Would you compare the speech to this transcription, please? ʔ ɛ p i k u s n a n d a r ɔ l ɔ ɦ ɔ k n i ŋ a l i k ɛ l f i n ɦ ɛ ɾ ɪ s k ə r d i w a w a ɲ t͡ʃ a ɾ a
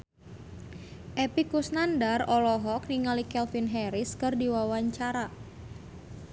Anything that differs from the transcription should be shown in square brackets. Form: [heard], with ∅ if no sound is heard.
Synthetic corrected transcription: ʔ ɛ p i k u s n a n d a r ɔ l ɔ ɦ ɔ k n i ŋ a l i k ɛ l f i n ɦ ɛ ɾ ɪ s k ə r d i w a w a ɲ t͡ʃ a ɾ a